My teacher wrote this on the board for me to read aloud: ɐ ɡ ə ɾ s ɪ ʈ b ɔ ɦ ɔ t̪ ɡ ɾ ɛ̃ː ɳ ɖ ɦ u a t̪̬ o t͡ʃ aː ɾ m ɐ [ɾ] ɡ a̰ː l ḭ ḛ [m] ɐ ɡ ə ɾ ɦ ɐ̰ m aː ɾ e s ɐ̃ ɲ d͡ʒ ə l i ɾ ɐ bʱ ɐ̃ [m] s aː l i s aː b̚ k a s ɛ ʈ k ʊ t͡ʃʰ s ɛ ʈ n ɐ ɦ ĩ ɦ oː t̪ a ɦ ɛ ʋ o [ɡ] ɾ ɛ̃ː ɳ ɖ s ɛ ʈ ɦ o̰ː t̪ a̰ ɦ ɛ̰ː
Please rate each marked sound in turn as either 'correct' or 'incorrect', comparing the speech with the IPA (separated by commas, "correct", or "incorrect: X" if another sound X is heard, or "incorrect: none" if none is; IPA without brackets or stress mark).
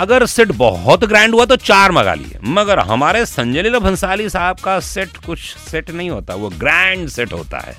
incorrect: none, correct, incorrect: n, correct